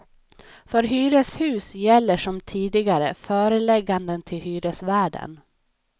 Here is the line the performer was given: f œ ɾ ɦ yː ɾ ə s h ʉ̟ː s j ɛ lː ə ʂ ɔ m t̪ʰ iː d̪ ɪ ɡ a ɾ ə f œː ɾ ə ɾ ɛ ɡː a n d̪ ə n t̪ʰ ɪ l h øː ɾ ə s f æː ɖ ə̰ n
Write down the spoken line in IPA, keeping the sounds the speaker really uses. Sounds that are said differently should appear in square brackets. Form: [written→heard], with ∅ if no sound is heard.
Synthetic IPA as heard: f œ ɾ ɦ yː ɾ ə s h ʉ̟ː s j ɛ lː ə ʂ ɔ m t̪ʰ iː d̪ ɪ ɡ a ɾ ə f œː ɾ ə [ɾ→l] ɛ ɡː a n d̪ ə n t̪ʰ ɪ l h [øː→yː] ɾ ə s [f→v] æː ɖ ə̰ n